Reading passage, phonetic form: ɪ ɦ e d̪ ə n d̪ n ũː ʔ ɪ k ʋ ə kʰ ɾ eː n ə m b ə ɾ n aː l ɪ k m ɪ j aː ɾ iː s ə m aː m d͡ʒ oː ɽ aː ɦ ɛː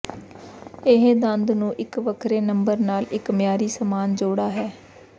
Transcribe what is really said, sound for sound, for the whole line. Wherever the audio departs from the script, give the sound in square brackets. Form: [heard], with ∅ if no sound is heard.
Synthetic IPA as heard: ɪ ɦ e d̪ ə n d̪ n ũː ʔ ɪ k ʋ ə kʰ ɾ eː n ə m b ə ɾ n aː l ɪ k m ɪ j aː ɾ iː s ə m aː [n] d͡ʒ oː ɽ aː ɦ ɛː